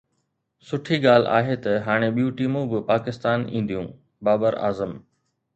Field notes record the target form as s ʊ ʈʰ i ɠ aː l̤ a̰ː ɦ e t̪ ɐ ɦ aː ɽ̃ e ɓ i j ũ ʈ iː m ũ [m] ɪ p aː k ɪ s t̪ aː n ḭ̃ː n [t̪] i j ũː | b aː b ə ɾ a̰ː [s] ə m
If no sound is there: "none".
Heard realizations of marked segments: b, d̪, z

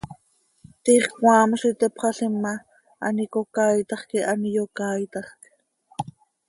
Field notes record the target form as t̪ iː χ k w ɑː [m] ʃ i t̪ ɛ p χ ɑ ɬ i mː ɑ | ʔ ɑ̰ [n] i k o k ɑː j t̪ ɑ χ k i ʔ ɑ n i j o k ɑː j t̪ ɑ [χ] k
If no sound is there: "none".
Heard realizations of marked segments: m, n, χ

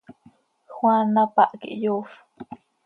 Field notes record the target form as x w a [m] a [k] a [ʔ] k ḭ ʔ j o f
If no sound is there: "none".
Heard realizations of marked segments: n, p, ʔ

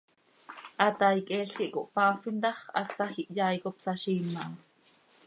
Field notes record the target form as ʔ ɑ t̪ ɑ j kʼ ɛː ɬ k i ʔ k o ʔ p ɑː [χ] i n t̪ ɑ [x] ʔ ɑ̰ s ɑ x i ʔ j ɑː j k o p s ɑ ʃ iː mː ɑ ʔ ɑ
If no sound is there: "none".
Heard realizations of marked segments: f, χ

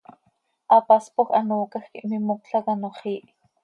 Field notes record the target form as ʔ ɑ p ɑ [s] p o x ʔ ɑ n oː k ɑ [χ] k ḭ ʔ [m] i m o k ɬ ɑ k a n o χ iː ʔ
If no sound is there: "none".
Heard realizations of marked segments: s, x, m

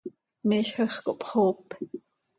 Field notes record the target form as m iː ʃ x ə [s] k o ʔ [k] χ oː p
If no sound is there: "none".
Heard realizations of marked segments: χ, p

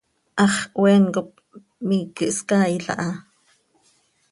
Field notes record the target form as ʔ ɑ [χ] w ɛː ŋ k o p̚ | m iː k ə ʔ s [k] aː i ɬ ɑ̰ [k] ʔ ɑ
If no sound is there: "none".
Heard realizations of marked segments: χ, k, none

